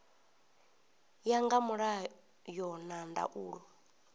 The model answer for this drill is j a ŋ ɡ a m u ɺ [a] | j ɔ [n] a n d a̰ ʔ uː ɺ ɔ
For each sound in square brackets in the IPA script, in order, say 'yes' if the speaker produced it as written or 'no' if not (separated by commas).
yes, yes